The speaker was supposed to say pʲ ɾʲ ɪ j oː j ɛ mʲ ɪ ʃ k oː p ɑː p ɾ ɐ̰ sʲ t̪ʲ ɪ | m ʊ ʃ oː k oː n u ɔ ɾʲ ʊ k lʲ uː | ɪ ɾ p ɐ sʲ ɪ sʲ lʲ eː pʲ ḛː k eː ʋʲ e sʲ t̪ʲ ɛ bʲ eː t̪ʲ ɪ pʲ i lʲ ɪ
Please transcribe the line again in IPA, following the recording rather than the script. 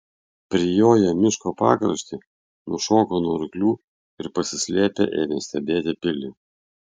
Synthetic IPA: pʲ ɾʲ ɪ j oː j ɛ mʲ ɪ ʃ k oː p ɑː k ɾ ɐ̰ ʃʲ t̪ʲ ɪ | n ʊ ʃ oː k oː n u ɔ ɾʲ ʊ k lʲ uː | ɪ ɾ p ɐ sʲ ɪ sʲ lʲ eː pʲ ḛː ʔ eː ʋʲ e sʲ t̪ʲ ɛ bʲ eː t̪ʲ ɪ pʲ ɪ lʲ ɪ